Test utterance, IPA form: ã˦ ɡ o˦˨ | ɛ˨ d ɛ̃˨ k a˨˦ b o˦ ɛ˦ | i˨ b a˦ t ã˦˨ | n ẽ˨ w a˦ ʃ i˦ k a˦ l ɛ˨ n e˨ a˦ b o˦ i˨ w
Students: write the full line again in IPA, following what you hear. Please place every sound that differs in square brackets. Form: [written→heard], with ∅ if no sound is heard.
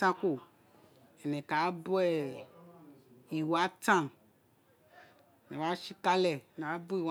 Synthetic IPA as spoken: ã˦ [ɡ→k] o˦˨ | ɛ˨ [d→n] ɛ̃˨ k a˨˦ b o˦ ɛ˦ | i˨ [b→w] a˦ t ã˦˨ | n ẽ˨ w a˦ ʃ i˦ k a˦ l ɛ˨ n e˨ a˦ b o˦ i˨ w